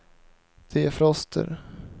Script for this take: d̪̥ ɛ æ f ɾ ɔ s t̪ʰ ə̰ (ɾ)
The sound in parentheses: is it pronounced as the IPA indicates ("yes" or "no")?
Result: yes